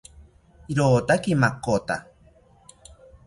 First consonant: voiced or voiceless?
voiced